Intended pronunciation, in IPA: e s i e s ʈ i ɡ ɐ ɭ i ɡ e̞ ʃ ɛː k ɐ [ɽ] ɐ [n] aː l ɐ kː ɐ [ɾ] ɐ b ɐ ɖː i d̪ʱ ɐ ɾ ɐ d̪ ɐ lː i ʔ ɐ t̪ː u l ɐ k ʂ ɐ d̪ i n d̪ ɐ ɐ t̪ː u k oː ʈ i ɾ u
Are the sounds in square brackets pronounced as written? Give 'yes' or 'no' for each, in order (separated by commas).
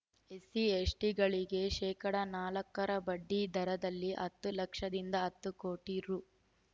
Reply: yes, yes, yes